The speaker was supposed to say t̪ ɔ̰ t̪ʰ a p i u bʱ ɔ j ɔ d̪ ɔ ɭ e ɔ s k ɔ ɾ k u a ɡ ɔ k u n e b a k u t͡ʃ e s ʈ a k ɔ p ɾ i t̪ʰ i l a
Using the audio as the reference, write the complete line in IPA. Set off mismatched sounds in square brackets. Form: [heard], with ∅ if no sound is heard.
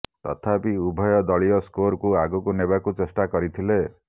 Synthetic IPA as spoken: t̪ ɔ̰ t̪ʰ a p i u bʱ ɔ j ɔ d̪ ɔ ɭ [i] ɔ s k [o] ɾ k u a ɡ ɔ k u n e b a k u t͡ʃ e s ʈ a k ɔ [∅] ɾ i t̪ʰ i l [e]